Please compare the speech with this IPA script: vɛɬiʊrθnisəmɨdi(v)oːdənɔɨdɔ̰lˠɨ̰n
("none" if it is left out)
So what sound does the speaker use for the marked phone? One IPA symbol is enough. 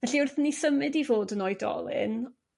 v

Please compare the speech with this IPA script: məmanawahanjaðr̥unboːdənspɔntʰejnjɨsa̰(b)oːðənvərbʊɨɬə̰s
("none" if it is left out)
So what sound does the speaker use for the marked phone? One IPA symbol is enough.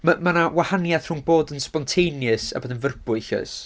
b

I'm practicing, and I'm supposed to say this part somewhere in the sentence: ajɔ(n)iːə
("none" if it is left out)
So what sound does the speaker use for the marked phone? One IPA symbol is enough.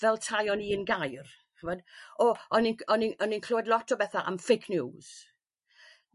n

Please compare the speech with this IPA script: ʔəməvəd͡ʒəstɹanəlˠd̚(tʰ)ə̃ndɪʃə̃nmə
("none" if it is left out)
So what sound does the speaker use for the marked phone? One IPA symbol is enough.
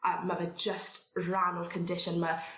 kʰ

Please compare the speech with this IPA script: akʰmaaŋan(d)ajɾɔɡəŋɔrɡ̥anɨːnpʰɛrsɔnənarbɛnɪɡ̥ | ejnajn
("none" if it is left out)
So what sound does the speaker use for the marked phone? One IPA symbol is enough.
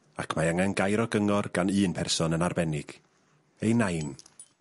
ɡ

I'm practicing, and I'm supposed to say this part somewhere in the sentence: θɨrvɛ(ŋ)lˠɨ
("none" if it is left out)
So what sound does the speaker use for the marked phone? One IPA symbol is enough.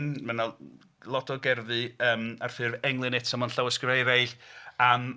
ŋ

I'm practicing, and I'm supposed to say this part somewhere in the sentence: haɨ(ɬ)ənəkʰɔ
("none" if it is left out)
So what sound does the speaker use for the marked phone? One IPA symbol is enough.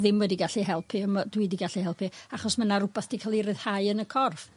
none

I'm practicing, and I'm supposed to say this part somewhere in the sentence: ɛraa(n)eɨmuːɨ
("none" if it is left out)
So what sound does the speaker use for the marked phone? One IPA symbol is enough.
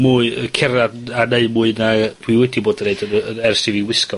n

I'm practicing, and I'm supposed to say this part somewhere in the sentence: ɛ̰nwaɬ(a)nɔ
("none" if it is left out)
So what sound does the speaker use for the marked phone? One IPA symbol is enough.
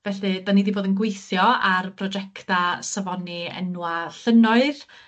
ə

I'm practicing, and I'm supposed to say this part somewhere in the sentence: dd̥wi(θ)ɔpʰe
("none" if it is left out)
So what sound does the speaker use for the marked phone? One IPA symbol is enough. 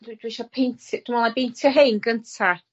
ʃ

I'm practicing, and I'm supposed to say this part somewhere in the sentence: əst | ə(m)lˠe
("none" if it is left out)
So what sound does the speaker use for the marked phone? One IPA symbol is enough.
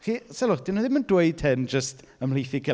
m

